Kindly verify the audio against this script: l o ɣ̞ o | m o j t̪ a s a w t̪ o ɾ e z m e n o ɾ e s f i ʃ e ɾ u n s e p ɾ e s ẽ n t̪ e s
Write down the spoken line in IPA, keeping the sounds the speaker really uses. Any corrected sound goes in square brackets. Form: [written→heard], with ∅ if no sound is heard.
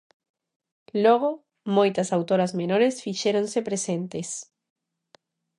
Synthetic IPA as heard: l o ɣ̞ o | m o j t̪ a s a w t̪ o ɾ [e→a] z m e n o ɾ e s f i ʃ e ɾ [u→o] n s e p ɾ e s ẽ n t̪ e s